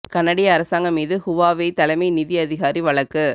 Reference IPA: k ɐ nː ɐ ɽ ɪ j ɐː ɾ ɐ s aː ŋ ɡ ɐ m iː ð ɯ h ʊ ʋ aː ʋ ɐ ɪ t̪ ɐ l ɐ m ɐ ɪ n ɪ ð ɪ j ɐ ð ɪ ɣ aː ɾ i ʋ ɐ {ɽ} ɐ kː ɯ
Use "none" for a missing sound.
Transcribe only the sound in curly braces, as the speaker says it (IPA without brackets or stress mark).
ɭ